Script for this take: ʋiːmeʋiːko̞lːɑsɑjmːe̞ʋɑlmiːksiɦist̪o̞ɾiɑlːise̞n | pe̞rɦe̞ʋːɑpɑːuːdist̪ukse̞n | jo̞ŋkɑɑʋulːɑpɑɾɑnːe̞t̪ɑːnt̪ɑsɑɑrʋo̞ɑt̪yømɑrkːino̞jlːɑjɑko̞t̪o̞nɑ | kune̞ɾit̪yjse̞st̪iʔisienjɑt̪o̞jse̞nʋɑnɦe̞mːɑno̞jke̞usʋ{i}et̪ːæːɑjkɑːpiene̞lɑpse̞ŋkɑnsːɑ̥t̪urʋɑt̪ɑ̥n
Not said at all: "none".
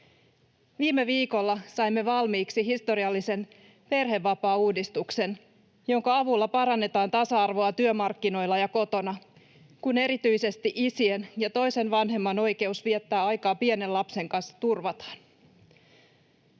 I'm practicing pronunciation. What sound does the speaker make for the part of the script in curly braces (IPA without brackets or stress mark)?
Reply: i